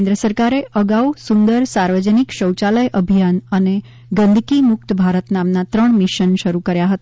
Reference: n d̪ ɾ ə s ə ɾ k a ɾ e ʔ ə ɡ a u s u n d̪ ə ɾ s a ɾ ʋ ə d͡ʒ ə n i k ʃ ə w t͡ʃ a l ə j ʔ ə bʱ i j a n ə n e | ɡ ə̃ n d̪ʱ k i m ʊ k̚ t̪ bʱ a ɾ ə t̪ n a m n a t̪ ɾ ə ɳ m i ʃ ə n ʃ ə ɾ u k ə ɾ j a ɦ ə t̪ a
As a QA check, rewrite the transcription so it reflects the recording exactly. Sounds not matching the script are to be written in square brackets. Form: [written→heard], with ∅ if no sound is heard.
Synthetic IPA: n d̪ ɾ ə s ə ɾ k a ɾ e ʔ ə ɡ a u s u n d̪ ə ɾ s a ɾ ʋ ə d͡ʒ ə n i k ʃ ə w t͡ʃ a l ə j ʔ ə bʱ i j a n ə n e | ɡ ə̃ n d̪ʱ k i m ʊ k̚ t̪ bʱ a ɾ ə t̪ n a m n a t̪ ɾ ə ɳ m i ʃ ə n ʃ ə ɾ u k ə ɾ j a ɦ ə t̪ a